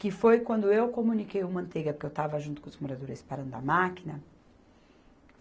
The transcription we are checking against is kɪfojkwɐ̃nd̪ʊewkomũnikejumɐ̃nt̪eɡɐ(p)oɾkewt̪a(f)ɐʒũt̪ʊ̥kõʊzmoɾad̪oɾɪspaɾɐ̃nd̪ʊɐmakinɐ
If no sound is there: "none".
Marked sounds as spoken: p, v

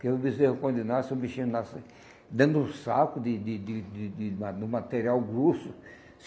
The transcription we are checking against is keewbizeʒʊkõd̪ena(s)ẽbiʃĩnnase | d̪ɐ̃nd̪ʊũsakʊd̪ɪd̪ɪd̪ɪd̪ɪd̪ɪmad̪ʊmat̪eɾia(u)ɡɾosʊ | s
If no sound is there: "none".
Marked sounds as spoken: s, w

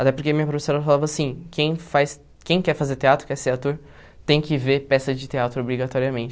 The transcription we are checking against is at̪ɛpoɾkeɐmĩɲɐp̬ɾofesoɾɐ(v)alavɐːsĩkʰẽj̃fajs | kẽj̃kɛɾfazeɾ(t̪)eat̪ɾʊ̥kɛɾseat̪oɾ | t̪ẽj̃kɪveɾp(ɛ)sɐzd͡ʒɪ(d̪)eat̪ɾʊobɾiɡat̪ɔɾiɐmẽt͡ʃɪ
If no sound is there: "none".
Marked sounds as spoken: f, t̪, ɛ, t̪

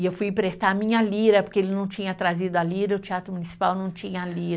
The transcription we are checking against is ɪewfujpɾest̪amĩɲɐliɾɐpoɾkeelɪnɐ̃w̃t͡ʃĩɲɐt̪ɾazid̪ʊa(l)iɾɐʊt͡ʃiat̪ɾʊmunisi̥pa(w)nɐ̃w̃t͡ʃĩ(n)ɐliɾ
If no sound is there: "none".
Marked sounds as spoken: l, w, ɲ

